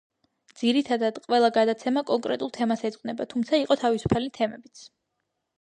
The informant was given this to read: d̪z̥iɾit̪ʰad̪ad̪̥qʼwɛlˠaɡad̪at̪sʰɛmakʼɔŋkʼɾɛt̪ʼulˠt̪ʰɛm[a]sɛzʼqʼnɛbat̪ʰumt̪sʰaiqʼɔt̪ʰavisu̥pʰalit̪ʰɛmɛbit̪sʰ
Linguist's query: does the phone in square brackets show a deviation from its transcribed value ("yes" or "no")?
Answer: no